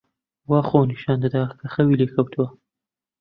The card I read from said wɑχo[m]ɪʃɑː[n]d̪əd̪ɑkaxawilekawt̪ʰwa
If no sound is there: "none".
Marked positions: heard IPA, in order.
n, n

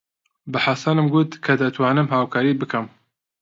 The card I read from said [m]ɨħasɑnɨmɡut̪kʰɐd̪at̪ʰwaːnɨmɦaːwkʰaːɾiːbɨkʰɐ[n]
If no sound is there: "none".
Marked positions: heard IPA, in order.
b, m

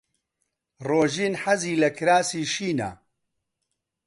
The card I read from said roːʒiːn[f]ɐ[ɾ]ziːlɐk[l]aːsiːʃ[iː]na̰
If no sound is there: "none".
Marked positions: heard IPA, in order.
ħ, none, ɾ, iː

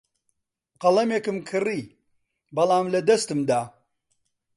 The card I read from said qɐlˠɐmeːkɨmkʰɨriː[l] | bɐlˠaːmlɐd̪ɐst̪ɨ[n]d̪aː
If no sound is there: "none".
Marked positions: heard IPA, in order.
none, m

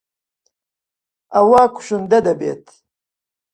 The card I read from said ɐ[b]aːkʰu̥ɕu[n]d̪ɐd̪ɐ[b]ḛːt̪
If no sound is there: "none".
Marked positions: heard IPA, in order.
w, n, b

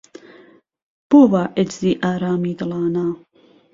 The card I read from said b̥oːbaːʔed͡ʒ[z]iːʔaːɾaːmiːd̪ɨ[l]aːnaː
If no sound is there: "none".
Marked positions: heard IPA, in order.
z, l

